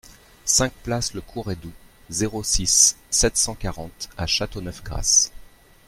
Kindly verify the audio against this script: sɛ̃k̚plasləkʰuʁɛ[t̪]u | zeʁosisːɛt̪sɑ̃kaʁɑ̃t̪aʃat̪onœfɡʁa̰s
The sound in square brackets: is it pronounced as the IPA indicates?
no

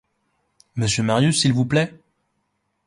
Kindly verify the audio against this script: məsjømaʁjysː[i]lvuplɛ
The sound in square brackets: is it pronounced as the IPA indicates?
yes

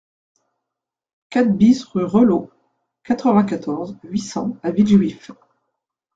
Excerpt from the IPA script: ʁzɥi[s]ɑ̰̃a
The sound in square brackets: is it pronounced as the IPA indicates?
yes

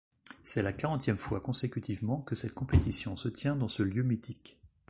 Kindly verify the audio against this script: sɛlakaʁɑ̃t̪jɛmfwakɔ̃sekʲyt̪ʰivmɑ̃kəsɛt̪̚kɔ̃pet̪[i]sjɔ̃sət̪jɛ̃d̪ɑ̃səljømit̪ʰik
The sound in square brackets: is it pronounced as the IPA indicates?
yes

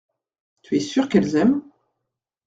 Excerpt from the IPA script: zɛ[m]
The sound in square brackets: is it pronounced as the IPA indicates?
yes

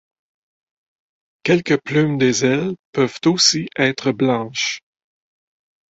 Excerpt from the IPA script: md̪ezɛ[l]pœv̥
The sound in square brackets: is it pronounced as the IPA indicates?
yes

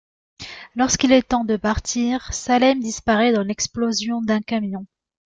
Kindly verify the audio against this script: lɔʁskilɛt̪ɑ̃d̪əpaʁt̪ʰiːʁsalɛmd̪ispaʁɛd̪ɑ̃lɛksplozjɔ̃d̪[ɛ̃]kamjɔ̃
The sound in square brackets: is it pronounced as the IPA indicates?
yes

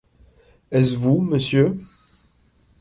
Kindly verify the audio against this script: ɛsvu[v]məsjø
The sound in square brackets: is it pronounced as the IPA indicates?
no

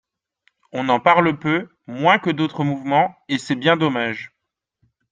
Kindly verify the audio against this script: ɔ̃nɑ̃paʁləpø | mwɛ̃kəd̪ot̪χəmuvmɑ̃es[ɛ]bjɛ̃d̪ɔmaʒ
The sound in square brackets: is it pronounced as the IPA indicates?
yes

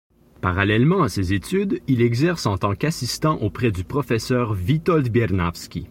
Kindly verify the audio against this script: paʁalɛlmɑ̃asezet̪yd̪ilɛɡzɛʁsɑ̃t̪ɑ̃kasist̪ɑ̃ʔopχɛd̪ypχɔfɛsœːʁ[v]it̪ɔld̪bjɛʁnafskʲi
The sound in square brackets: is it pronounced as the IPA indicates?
yes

